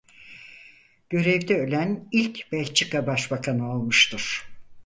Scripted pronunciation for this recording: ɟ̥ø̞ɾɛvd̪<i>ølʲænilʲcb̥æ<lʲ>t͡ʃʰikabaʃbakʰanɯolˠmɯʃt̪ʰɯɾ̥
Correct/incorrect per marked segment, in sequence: incorrect: ɛ, correct

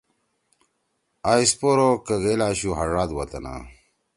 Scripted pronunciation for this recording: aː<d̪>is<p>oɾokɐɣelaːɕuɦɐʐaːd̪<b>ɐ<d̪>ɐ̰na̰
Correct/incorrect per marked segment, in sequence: incorrect: none, correct, incorrect: w, incorrect: t̪

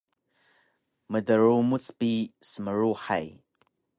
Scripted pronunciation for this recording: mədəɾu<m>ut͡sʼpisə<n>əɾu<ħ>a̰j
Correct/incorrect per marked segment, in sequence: correct, incorrect: m, correct

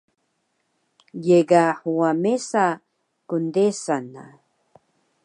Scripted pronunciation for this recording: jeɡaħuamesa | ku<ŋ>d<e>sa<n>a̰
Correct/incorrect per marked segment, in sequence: incorrect: n, correct, correct

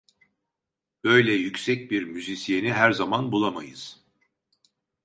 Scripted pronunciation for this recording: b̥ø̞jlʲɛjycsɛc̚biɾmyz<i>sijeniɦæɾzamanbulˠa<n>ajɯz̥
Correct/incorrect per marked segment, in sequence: correct, incorrect: m

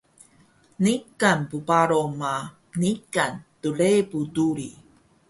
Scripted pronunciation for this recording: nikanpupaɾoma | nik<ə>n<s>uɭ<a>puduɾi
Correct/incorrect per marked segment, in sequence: incorrect: a, incorrect: t, incorrect: e

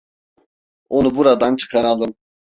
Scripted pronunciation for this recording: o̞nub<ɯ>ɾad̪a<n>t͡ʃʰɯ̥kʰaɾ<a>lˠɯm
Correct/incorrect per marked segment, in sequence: incorrect: u, correct, correct

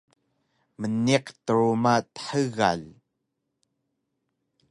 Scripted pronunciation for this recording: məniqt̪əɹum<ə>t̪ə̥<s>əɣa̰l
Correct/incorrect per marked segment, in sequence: incorrect: a, incorrect: ħ

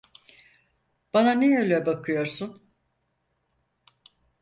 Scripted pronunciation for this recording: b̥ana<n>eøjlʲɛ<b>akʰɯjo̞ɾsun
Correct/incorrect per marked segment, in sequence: correct, correct

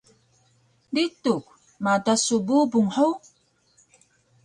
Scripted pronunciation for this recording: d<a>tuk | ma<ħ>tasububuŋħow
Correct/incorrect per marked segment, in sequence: incorrect: i, incorrect: none

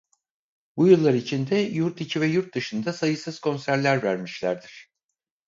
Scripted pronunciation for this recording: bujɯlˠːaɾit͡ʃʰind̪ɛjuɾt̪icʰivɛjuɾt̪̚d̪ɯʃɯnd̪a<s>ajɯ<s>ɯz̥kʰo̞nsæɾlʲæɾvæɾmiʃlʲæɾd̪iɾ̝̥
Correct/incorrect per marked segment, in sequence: correct, correct

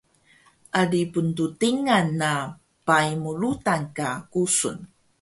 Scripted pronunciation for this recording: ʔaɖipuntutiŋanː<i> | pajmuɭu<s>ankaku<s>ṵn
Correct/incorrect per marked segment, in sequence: incorrect: a, incorrect: t, correct

